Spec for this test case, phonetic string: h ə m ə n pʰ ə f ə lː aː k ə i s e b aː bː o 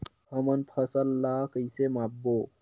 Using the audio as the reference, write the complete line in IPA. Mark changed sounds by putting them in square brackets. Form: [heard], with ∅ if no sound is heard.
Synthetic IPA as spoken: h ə m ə n pʰ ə [s] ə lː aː k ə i s e [m] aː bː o